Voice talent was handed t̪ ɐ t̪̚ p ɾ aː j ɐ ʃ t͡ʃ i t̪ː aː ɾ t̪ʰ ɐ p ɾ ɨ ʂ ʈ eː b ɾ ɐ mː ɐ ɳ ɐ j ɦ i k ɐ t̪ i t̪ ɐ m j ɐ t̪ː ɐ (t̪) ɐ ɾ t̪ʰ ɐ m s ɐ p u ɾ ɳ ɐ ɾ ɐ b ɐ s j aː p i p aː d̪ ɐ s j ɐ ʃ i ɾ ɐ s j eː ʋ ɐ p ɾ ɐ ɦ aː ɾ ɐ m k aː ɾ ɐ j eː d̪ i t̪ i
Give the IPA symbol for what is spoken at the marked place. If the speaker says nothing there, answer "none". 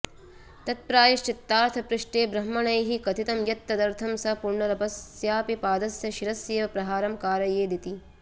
d̪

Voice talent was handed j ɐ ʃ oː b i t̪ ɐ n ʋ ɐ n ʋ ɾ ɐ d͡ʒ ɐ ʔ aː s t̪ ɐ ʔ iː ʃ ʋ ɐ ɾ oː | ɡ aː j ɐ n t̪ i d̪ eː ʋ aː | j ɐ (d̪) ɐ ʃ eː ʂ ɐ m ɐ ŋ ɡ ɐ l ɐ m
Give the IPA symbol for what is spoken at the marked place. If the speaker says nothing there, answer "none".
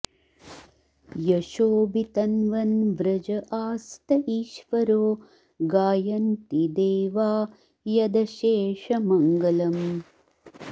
d̪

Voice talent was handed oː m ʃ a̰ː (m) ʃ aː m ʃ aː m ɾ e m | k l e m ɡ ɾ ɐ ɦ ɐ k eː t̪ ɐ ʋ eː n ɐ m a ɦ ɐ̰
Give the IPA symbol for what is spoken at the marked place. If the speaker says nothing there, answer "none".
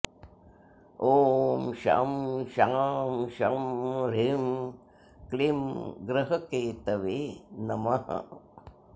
m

